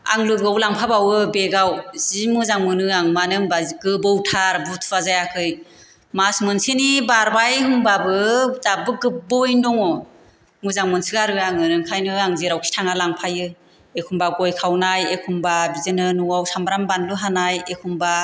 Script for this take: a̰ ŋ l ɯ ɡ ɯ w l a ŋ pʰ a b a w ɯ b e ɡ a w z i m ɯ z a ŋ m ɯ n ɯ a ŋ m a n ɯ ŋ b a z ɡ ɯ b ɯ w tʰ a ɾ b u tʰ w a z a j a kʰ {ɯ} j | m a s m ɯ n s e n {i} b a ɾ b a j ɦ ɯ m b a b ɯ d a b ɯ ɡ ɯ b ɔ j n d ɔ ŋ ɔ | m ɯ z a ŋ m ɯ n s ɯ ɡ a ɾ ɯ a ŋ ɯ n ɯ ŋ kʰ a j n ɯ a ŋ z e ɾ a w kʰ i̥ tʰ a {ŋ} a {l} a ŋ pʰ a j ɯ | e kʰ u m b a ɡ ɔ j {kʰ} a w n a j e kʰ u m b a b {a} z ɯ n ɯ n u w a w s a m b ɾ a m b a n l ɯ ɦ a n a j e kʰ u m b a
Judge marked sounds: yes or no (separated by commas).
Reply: yes, yes, yes, yes, yes, no